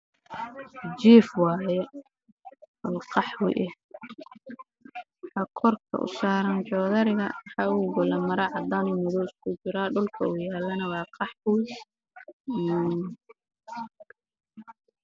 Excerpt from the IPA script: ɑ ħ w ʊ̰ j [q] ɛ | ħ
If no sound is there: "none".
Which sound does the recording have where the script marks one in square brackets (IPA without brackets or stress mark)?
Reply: ʔ